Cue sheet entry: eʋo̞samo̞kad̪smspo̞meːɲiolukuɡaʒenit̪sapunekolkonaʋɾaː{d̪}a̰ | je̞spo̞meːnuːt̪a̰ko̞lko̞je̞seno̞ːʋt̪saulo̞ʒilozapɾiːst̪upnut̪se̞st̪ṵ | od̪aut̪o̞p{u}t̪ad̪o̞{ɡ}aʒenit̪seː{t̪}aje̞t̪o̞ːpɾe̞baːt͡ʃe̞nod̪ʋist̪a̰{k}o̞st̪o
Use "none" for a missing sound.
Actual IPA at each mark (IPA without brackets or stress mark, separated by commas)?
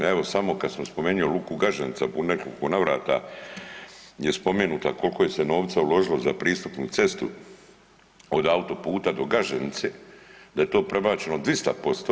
t̪, uː, ɡ, d̪, p